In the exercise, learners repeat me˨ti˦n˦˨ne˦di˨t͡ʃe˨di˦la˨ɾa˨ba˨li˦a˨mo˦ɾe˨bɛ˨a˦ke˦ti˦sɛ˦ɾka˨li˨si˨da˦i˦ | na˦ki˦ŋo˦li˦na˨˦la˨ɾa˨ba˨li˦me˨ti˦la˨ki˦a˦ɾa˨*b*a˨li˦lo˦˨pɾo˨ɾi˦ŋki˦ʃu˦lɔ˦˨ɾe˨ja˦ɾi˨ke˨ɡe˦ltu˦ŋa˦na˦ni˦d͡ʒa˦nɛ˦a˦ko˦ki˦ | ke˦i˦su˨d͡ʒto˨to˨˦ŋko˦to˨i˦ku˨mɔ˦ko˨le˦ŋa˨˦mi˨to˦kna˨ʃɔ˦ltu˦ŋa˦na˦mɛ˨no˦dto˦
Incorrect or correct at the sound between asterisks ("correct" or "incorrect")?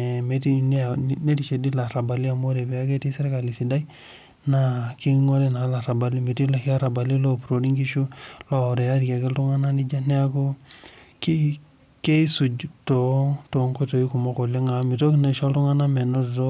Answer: correct